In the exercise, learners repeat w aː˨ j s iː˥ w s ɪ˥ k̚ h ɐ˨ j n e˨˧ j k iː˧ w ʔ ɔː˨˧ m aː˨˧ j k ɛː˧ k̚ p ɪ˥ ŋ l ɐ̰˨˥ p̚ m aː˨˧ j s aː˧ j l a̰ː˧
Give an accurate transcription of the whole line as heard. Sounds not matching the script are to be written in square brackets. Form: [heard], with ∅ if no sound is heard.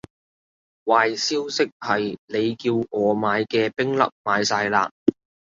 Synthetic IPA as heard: w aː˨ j s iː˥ w s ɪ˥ k̚ h ɐ˨ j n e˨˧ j k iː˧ w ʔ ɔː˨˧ m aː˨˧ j k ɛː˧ [∅] p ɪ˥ ŋ l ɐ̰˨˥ p̚ m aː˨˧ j s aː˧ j l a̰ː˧